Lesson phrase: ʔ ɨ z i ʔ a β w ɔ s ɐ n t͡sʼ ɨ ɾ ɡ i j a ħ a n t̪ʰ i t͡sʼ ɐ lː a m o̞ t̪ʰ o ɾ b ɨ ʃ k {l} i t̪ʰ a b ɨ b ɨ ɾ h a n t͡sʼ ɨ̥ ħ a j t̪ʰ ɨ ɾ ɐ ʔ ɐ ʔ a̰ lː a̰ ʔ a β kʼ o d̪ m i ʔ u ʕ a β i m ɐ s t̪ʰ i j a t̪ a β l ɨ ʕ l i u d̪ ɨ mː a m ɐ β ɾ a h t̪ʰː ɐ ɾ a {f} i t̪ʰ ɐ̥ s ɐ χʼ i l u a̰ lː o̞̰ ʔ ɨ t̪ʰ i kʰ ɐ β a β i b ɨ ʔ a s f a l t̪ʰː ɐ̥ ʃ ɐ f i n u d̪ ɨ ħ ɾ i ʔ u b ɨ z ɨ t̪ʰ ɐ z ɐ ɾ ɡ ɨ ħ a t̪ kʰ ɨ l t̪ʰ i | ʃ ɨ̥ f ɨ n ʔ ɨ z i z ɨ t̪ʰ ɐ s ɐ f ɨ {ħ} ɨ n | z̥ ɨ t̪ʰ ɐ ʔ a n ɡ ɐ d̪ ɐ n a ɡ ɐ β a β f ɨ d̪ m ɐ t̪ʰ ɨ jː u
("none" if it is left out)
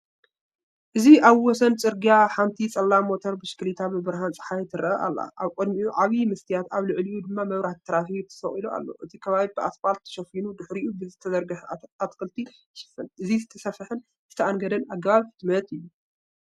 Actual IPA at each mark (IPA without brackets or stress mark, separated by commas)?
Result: l, f, ħ